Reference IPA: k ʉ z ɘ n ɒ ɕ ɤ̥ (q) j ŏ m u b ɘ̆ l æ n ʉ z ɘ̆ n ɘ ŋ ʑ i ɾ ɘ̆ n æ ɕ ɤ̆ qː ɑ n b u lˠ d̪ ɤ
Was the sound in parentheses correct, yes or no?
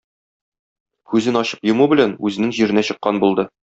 no